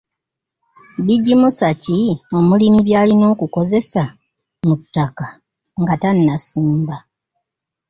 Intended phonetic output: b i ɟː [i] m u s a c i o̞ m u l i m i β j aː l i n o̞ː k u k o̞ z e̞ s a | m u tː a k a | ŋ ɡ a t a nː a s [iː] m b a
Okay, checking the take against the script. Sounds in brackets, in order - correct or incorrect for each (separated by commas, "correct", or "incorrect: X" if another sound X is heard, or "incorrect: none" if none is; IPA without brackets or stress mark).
correct, correct